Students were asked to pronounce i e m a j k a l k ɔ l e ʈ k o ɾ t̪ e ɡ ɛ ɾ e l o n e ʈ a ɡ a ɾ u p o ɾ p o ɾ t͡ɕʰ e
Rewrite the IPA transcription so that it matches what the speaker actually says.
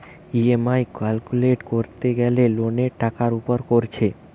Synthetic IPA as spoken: i e m a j k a l k u l e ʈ k o ɾ t̪ e ɡ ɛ l e l o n e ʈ a k a ɾ u p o ɾ k o ɾ t͡ɕʰ e

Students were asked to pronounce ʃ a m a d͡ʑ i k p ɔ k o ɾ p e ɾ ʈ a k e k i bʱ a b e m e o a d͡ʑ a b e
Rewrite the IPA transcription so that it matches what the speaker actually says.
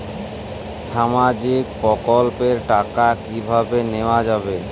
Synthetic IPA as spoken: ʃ a m a d͡ʑ i k p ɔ k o l p e ɾ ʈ a k a k i bʱ a b e n e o a d͡ʑ a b e

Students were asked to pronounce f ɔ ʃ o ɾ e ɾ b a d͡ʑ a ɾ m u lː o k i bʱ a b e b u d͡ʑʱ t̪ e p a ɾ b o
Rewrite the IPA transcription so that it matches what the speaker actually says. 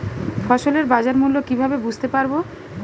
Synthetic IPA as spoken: f ɔ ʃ o l e ɾ b a d͡ʑ a ɾ m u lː o k i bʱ a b e b u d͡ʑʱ t̪ e p a ɾ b o

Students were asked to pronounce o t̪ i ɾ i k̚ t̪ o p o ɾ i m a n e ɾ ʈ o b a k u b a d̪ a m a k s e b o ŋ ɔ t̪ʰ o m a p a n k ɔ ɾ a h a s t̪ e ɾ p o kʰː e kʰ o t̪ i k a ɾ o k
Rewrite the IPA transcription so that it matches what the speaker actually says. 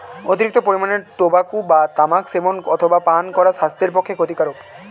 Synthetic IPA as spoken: o t̪ i ɾ i k̚ t̪ o p o ɾ i m a n e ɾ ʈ o b a k u b a t̪ a m a k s e b o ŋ ɔ t̪ʰ o b a p a n k ɔ ɾ a ʃ a s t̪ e ɾ p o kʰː e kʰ o t̪ i k a ɾ o k

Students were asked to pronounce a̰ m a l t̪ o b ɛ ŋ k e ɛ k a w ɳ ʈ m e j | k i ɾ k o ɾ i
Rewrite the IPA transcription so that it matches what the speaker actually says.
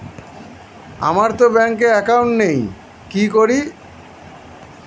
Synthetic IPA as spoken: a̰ m a ɾ t̪ o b ɛ ŋ k e ɛ k a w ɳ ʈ n e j | k i k o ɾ i

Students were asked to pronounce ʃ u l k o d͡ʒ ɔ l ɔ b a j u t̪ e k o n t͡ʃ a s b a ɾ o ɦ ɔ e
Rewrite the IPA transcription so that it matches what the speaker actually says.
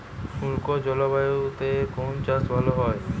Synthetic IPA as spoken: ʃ u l k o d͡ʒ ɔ l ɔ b a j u t̪ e k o n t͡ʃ a s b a l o ɦ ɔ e

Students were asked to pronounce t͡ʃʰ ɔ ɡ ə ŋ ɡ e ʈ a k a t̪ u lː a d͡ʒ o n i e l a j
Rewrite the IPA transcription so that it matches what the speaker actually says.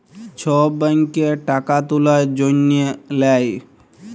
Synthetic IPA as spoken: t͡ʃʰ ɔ b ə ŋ k e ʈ a k a t̪ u l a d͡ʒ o n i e l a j

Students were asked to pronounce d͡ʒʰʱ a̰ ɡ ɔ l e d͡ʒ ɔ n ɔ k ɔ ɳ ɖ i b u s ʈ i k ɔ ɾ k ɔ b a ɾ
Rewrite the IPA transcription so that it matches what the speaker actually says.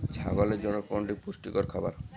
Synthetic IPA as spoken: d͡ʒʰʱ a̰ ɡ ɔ l e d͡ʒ ɔ n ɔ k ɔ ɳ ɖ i p u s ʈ i k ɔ ɾ kʰ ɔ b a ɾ

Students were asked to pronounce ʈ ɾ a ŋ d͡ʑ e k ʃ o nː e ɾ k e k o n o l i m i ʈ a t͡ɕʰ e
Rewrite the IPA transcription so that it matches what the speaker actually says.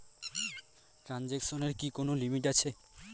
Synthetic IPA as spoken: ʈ ɾ a n d͡ʑ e k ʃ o n e ɾ k i k o n o l i m i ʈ a t͡ɕʰ e

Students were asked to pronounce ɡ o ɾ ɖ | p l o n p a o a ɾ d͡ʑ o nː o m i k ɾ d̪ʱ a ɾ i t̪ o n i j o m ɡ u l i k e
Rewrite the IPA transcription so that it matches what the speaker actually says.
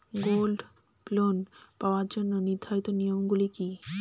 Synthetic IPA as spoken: ɡ o l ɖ | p l o n p a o a ɾ d͡ʑ o nː o n i ɾ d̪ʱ a ɾ i t̪ o n i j o m ɡ u l i k i

